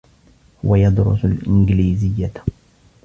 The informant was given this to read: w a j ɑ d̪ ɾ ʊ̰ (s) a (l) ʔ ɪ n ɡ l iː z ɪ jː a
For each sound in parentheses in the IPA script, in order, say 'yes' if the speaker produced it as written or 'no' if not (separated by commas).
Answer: yes, yes